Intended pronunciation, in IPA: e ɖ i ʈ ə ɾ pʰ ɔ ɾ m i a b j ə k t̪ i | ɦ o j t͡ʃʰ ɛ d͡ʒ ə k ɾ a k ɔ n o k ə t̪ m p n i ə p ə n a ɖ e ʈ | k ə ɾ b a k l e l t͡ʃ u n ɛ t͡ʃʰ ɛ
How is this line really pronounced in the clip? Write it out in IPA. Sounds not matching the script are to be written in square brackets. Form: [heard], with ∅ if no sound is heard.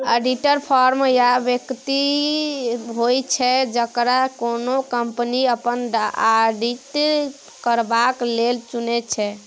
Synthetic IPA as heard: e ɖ i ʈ ə ɾ pʰ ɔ ɾ m [j] a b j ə k t̪ i | ɦ o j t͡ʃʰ ɛ d͡ʒ ə k ɾ a k [o] n o k ə [∅] m p n i ə p ə n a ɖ [i] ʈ | k ə ɾ b a k l e l t͡ʃ u n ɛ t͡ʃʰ ɛ